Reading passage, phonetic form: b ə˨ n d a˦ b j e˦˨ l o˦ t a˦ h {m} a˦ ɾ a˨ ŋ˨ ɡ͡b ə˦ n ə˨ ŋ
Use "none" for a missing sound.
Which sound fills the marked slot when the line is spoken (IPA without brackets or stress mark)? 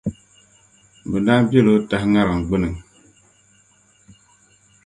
ŋ